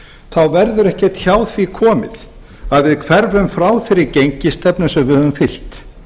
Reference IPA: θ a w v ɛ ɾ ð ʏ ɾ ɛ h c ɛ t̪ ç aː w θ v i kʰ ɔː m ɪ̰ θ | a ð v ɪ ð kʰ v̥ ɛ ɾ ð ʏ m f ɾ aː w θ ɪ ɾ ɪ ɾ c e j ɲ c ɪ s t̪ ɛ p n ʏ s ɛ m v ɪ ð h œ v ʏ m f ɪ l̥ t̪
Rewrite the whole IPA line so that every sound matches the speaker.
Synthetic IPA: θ a w v ɛ ɾ ð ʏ ɾ ɛ h c ɛ t̪ ç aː w θ v i kʰ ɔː m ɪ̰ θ | a ð v ɪ ð kʰ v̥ ɛ ɾ v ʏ m f ɾ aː w θ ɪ ɾ ɪ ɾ c e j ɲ c ɪ s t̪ ɛ p n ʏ s ɛ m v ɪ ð h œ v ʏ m f ɪ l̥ t̪